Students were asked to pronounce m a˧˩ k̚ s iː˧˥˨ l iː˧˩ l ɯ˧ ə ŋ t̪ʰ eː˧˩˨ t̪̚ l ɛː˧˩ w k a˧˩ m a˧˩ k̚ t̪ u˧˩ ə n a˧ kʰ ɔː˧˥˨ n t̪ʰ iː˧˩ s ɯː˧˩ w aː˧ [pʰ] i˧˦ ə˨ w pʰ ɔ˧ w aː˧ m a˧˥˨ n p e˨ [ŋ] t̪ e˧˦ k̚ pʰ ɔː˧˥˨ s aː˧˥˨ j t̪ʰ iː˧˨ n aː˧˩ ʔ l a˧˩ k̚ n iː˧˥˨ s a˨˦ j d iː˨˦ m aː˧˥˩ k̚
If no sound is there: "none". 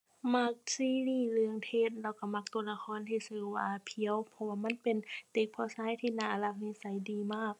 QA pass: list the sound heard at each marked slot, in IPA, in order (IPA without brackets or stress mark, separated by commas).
pʰ, n